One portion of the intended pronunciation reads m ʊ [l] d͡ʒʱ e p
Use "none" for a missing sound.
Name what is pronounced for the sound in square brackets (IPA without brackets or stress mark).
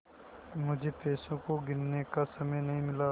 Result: none